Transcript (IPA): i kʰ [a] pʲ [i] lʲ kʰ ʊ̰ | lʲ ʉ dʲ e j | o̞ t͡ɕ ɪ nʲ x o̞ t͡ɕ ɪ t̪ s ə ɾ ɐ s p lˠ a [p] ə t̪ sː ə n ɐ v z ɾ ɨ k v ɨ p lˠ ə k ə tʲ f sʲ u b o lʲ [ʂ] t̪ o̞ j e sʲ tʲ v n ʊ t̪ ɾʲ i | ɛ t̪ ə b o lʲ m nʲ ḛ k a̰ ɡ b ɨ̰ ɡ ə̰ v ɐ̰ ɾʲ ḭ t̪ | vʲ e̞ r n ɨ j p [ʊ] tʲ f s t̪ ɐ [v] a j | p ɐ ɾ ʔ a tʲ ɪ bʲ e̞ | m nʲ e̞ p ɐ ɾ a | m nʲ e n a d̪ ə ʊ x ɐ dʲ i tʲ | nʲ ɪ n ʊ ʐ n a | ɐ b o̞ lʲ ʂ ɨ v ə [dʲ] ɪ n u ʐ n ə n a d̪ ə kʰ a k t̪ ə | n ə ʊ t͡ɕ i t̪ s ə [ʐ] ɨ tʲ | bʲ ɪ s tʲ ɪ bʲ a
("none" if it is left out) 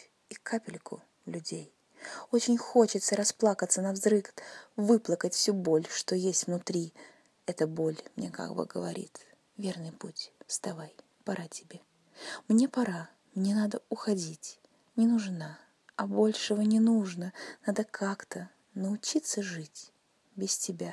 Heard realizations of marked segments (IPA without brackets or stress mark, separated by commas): a, ɪ, k, ʂ, u, v, nʲ, ʐ